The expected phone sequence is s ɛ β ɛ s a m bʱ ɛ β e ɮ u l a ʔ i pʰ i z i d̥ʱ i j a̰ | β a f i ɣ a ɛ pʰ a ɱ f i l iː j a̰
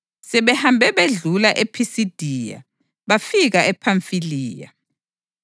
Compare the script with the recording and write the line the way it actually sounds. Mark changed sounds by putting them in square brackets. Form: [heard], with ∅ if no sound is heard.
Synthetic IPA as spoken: s ɛ β ɛ [h] a m bʱ ɛ β e ɮ u l a ʔ [e] pʰ i [s] i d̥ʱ i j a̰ | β a f i ɣ a ɛ pʰ a ɱ f i l iː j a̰